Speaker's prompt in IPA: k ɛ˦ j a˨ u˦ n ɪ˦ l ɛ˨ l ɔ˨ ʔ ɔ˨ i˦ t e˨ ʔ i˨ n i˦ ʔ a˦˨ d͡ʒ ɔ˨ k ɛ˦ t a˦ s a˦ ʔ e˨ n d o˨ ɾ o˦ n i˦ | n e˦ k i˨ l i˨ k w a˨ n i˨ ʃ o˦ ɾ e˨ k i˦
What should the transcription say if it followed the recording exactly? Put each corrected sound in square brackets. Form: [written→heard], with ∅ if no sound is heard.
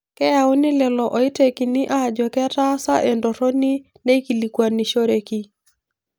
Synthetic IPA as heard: k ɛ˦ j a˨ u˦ n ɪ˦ l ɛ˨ l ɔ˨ ʔ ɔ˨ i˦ t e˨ [ʔ→k] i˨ n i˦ ʔ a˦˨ d͡ʒ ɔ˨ k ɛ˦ t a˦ s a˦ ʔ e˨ n d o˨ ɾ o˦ n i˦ | n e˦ k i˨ l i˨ k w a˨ n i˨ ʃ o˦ ɾ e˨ k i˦